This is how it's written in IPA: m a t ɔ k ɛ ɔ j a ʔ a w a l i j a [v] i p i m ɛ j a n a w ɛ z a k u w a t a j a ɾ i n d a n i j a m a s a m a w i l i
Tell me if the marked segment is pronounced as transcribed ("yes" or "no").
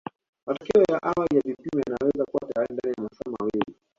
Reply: yes